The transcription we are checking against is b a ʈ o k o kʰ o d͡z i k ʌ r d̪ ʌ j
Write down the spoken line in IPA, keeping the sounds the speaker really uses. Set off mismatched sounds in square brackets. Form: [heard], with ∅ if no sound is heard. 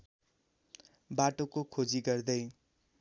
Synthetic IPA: b a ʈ o k o kʰ o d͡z i [ɡ] ʌ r d̪ ʌ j

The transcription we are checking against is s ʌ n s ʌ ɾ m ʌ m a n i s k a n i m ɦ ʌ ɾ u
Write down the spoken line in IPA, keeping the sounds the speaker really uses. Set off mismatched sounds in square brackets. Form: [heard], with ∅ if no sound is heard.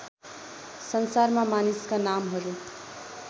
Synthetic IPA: s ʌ n s [a] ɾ m [a] m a n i s k a n [a] m ɦ ʌ ɾ u

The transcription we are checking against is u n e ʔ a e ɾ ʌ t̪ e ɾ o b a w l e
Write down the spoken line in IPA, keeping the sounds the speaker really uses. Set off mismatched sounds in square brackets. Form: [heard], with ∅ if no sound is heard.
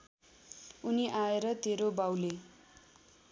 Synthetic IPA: u n [i] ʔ a e ɾ ʌ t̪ e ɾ o b a w l e

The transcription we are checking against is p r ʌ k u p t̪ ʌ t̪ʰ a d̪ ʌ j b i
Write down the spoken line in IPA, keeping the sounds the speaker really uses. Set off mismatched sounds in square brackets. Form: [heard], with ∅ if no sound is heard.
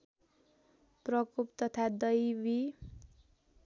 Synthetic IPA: p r ʌ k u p t̪ ʌ t̪ʰ a d̪ ʌ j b i

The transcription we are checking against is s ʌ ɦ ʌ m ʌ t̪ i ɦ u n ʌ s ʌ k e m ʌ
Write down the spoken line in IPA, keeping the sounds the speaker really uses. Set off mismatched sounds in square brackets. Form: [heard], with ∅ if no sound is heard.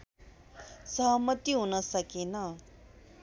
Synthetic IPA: s ʌ ɦ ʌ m ʌ t̪ i ɦ u n ʌ s ʌ k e [n] ʌ

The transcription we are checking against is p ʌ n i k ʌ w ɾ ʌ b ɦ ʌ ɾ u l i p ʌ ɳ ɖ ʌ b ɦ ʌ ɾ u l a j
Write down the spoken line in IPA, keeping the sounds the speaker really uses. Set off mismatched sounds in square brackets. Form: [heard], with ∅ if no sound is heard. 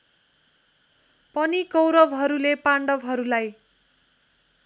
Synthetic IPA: p ʌ n i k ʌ w ɾ ʌ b ɦ ʌ ɾ u l [e] p [a] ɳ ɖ ʌ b ɦ ʌ ɾ u l a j

